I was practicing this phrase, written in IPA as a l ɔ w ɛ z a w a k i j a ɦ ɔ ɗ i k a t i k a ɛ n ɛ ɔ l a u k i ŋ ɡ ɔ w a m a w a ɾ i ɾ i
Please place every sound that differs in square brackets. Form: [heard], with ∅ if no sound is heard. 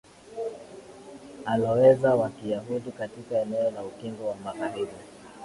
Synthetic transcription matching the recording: a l ɔ w ɛ z a w a k i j a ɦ [u] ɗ i k a t i k a ɛ n ɛ ɔ l a u k i ŋ ɡ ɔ w a m a [ɣ] a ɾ i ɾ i